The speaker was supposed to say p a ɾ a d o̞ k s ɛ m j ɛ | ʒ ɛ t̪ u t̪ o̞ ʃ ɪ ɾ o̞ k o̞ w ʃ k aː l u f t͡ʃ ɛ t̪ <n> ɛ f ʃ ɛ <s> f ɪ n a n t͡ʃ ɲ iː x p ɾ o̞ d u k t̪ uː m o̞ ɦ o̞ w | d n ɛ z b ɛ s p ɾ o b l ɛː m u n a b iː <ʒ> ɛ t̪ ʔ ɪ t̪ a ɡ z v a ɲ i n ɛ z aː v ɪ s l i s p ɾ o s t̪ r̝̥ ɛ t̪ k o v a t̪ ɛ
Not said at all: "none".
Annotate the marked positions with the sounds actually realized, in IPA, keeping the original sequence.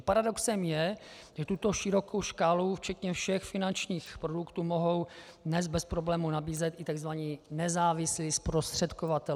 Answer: ɲ, x, z

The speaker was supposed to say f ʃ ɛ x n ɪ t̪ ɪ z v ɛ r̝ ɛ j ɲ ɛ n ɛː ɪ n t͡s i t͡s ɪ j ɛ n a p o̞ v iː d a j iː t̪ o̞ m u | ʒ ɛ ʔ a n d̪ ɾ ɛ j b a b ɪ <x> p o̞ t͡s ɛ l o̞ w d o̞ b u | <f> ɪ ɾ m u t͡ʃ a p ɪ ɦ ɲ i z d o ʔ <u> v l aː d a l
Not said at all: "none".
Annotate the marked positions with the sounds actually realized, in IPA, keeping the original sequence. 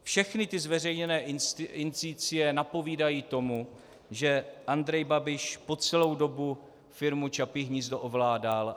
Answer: ʃ, f, o

